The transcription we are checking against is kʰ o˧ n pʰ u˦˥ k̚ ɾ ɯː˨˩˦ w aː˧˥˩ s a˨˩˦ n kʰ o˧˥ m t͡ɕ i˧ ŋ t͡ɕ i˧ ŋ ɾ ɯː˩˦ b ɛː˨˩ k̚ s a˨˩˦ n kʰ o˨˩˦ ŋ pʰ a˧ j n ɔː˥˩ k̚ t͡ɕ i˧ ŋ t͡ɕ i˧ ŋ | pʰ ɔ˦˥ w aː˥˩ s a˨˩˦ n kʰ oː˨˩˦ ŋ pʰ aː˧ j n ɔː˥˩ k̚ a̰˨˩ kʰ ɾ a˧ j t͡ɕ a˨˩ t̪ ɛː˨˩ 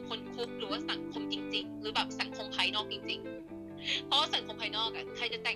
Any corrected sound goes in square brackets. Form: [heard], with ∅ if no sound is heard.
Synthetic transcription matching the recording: kʰ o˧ n [kʰ] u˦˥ k̚ ɾ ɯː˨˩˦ w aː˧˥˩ s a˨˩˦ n kʰ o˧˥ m t͡ɕ i˧ ŋ t͡ɕ i˧ ŋ ɾ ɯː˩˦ b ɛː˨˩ [p̚] s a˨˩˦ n kʰ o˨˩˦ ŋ pʰ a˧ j n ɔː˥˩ k̚ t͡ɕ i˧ ŋ t͡ɕ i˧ ŋ | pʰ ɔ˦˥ w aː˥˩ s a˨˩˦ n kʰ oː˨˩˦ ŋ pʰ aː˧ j n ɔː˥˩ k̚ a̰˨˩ kʰ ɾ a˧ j t͡ɕ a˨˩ t̪ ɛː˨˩